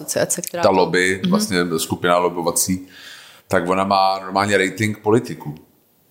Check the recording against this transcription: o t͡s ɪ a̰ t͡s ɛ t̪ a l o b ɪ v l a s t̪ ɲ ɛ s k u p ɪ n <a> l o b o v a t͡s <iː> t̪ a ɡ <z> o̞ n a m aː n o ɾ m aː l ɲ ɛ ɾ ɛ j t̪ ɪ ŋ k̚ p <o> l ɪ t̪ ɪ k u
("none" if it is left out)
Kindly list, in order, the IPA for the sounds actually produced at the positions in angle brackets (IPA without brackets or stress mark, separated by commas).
a, iː, v, o